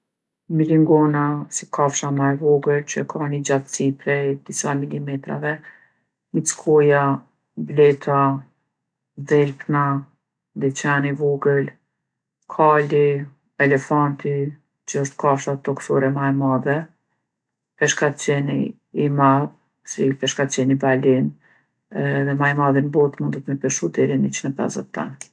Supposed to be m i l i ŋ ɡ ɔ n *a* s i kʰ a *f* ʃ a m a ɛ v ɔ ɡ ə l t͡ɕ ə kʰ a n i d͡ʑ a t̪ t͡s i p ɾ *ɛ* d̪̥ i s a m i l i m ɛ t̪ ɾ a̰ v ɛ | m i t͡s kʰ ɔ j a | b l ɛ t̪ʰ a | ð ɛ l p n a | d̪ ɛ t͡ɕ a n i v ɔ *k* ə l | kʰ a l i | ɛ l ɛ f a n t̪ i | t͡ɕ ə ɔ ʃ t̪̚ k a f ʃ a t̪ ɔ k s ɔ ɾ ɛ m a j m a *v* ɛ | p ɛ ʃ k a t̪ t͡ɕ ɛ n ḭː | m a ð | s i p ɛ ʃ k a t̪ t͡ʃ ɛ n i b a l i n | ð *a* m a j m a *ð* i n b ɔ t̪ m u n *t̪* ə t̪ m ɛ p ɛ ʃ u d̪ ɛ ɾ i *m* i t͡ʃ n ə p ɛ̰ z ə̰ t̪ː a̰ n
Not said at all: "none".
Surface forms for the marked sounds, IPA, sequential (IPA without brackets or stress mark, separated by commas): a, f, ɛ, ɡ, ð, ɛ, ð, d̪, n